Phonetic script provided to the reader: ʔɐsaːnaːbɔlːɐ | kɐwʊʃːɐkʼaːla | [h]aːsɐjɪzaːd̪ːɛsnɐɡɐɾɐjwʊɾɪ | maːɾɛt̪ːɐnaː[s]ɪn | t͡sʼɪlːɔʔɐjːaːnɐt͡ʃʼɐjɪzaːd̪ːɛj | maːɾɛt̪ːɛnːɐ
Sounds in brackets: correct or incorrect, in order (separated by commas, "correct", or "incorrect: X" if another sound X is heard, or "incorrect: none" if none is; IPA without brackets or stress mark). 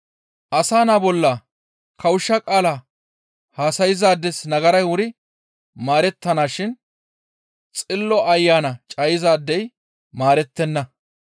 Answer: correct, incorrect: ʃ